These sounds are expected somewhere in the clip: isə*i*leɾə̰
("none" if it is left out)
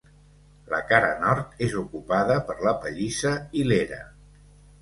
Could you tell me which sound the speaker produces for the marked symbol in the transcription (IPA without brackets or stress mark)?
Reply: i